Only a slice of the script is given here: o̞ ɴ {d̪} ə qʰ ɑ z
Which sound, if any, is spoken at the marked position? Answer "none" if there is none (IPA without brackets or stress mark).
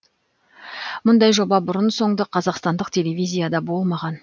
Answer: d̪